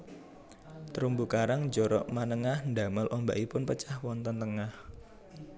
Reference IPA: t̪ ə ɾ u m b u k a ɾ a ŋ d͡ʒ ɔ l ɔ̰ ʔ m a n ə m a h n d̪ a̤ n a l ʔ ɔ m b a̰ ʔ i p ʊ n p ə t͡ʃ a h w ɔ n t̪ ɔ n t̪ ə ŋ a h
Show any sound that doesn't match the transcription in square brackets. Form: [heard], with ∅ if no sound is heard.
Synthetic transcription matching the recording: t̪ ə ɾ u m b u k a ɾ a ŋ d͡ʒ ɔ [ɾ] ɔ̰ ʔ m a n ə [ŋ] a h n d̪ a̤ [m] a l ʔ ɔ m b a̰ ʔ i p ʊ n p ə t͡ʃ a h w ɔ n t̪ ɔ n t̪ ə ŋ a h